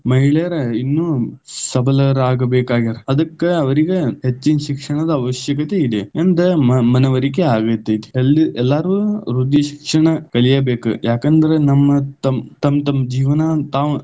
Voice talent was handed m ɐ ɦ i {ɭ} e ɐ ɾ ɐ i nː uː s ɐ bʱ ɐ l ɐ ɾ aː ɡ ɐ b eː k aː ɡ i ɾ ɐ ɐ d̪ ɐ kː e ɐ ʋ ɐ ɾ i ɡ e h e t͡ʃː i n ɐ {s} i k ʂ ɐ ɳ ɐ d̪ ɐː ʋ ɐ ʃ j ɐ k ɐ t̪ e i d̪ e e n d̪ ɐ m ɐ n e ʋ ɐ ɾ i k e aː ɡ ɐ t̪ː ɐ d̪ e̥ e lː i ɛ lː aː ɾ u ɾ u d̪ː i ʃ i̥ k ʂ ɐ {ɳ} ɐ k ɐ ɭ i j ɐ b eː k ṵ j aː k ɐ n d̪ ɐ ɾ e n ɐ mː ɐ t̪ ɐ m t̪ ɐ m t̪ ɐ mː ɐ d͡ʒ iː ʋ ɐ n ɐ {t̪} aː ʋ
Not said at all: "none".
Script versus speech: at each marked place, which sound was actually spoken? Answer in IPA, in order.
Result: ɭ, ʃ, ɳ, t̪

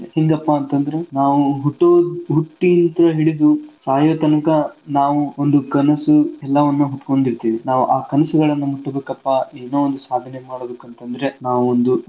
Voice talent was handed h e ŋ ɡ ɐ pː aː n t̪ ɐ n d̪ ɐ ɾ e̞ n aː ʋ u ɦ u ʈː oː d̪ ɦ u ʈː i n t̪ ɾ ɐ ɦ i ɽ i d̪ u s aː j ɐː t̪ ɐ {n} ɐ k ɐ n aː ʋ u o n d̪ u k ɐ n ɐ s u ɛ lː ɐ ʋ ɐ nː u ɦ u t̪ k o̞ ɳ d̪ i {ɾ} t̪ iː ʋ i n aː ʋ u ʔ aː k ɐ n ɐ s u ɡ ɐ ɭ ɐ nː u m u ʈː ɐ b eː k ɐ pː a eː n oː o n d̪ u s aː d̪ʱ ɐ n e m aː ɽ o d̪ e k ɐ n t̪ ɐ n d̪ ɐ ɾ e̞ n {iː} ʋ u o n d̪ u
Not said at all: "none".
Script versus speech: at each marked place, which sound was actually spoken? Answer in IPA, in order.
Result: n, ɾ, aː

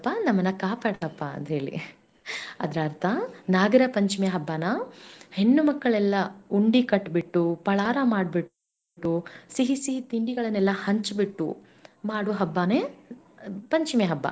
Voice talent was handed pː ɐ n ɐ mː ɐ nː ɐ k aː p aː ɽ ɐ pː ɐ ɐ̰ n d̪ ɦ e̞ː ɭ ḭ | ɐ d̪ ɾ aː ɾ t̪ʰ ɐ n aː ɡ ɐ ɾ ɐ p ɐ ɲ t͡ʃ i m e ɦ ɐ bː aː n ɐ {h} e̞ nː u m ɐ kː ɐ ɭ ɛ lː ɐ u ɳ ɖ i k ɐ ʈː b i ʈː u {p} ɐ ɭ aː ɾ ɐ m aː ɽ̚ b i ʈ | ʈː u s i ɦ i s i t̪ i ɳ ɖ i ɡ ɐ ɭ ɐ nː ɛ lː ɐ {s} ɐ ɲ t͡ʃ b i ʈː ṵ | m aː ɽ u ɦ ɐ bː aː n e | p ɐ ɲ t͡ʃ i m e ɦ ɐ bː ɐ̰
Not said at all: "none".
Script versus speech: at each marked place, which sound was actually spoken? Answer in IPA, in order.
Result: h, p, h

